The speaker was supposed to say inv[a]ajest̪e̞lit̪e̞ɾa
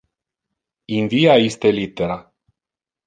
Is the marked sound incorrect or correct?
incorrect: i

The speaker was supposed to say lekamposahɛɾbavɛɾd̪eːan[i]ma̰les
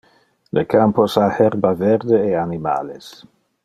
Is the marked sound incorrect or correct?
correct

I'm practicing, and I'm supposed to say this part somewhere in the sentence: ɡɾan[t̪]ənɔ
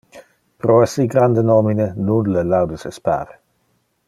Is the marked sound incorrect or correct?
incorrect: d̪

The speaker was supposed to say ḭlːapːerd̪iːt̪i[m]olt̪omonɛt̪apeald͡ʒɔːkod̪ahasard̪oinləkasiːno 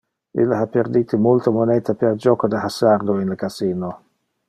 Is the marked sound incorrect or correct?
correct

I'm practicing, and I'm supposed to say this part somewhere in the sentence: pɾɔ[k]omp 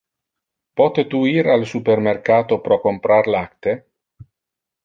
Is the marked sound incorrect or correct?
correct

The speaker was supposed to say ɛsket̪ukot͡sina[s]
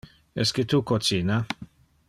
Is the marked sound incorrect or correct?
incorrect: none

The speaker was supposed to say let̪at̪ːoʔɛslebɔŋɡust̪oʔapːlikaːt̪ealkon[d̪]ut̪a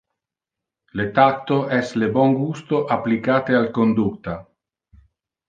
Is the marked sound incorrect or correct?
correct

